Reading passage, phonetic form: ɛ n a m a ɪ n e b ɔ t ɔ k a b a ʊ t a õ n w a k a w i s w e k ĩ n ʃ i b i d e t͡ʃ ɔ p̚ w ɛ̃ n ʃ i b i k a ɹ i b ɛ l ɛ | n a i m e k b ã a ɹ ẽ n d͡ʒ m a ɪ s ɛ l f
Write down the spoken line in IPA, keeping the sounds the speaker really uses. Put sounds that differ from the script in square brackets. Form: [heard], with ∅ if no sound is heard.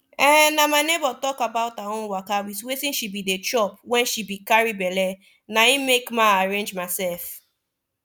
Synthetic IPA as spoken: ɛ n a m a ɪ n e b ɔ t ɔ k a b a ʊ t a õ n w a k a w i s w e [t] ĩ n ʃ i b i d e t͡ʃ ɔ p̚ w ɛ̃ n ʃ i b i k a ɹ i b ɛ l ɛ | n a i m e k [m] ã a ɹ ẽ n d͡ʒ m a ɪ s ɛ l f